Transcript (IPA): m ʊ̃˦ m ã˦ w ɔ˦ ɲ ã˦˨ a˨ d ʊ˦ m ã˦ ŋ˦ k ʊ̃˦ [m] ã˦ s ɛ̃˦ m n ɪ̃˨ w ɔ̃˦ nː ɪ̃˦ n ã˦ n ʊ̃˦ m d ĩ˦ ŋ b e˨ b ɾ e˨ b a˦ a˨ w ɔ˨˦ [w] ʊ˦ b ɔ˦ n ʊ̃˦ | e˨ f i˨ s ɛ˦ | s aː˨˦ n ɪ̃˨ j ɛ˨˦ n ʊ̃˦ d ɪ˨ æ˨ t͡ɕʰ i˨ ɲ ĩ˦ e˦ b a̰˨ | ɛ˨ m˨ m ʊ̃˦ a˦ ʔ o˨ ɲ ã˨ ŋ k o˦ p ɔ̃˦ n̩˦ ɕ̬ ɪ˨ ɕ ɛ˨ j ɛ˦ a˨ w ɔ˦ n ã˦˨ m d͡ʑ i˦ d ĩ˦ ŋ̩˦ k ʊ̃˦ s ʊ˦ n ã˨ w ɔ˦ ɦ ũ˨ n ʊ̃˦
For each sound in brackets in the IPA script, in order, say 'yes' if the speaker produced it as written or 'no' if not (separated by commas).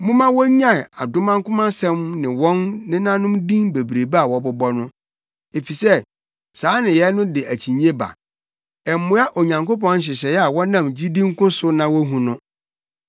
yes, no